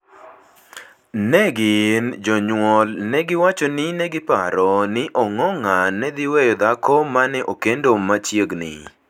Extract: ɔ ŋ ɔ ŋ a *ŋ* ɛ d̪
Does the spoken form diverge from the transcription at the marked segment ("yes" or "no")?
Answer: yes